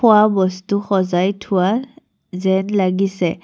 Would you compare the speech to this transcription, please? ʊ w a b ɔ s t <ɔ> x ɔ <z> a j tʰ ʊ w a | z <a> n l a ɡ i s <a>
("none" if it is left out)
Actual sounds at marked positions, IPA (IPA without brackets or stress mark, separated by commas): u, z, ɛ, ɛ